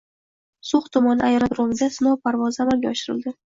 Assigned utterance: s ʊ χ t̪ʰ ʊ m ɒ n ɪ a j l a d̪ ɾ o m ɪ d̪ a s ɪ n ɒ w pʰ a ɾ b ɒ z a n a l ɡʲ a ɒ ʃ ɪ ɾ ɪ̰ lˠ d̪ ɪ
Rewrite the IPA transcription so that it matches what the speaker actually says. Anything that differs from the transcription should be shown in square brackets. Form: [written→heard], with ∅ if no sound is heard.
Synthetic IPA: s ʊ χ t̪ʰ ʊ m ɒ n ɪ a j [l→ɾ] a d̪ ɾ o m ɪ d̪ a s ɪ n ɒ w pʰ a ɾ [b→v] ɒ z a [n→m] a l ɡʲ a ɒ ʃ ɪ ɾ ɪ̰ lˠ d̪ ɪ